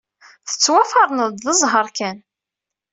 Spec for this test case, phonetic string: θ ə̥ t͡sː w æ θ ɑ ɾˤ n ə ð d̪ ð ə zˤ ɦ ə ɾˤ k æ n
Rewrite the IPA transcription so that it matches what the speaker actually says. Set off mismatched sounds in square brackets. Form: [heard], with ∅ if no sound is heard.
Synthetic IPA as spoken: θ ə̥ t͡sː w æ [f] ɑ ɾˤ n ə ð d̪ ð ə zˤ ɦ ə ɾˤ k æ n